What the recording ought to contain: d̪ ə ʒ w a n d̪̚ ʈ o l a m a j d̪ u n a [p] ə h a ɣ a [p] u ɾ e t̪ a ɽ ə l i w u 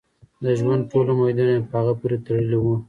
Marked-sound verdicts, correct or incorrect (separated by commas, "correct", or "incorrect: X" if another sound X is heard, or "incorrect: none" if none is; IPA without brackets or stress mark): correct, correct